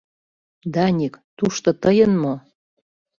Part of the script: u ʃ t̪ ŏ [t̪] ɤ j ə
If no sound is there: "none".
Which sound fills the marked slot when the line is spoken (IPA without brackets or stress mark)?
t̪